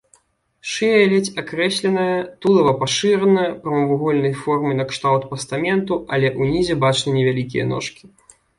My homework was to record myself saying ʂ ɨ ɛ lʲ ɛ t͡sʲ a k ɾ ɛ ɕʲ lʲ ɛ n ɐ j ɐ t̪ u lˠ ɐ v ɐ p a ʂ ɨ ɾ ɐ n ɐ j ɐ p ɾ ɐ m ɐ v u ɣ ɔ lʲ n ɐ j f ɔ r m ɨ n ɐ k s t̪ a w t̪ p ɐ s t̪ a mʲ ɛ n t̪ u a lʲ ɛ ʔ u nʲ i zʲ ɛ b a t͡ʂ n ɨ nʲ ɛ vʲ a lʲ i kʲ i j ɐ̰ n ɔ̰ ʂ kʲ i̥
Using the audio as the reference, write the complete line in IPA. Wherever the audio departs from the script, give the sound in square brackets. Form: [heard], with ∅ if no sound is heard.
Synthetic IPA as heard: ʂ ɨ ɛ lʲ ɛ t͡sʲ a k ɾ ɛ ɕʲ lʲ ɛ n ɐ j ɐ t̪ u lˠ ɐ v ɐ p a ʂ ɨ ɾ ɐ n ɐ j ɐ p ɾ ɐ m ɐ v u ɣ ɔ lʲ n ɐ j f ɔ r m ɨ n ɐ k [ʂ] t̪ a w t̪ p ɐ s t̪ a mʲ ɛ n t̪ u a lʲ ɛ ʔ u nʲ i zʲ ɛ b a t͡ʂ n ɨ nʲ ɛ vʲ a lʲ i kʲ i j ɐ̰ n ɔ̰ ʂ kʲ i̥